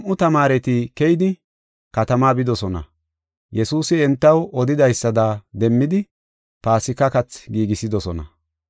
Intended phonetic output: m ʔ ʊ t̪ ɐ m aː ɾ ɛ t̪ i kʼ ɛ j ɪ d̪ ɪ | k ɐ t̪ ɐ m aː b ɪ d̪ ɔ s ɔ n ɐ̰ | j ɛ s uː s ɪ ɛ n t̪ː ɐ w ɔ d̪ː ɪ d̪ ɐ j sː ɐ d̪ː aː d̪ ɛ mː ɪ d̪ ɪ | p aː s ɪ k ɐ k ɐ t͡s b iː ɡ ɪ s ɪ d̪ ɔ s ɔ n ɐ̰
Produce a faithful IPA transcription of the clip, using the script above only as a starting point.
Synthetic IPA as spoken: m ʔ ʊ t̪ ɐ m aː ɾ ɛ t̪ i k ɛ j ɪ d̪ ɪ | k ɐ t̪ ɐ m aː b ɪ d̪ ɔ s ɔ n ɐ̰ | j ɛ s uː s ɪ ɛ n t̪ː ɐ w ɔ d̪ ɪ d̪ ɐ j sː ɐ d̪ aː d̪ ɛ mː ɪ d̪ ɪ | p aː s ɪ k ɐ k ɐ t͡s ɡ iː ɡ ɪ s ɪ d̪ ɔ s ɔ n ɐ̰